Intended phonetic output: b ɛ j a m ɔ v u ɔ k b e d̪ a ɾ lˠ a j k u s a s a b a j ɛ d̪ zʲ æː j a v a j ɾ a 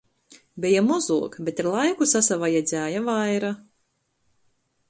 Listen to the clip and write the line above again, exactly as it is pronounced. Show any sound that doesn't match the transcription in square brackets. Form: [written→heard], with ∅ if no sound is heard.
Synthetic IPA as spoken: b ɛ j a m ɔ [v→z] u ɔ k b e [d̪→t̪] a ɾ lˠ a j k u s a s a [b→v] a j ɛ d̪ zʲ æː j a v a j ɾ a